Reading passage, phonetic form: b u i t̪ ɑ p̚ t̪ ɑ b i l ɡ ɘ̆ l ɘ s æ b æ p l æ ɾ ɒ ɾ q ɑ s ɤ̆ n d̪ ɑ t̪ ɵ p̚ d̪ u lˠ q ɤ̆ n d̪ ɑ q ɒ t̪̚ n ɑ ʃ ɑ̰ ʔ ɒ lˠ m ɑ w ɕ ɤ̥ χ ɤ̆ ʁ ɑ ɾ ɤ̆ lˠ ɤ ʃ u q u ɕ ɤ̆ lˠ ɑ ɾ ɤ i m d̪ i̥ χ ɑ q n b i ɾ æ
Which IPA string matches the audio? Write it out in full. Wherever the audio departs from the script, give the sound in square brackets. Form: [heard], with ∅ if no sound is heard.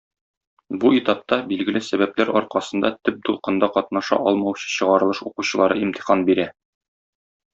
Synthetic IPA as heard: b u i t̪ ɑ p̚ t̪ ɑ b i l ɡ ɘ̆ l ɘ s æ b æ p l æ ɾ ɒ ɾ q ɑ s ɤ̆ n d̪ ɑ t̪ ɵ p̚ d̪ u lˠ q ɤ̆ n d̪ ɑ q ɒ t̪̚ n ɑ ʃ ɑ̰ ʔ ɒ lˠ m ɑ w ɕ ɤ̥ [ɕ] ɤ̆ ʁ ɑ ɾ ɤ̆ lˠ ɤ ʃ u q u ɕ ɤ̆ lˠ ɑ ɾ ɤ i m [t̪] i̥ χ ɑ [∅] n b i ɾ æ